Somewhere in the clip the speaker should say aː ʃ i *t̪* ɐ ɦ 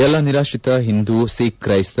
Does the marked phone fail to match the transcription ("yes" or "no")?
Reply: no